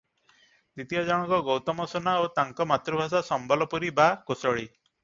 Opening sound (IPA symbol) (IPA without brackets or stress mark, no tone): d̪